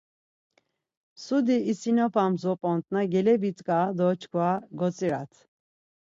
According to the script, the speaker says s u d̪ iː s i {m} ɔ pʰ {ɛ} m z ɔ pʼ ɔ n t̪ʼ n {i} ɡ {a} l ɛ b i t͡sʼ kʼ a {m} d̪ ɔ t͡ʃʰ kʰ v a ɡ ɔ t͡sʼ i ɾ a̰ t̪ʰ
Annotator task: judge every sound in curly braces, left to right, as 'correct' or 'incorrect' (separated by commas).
incorrect, incorrect, incorrect, incorrect, incorrect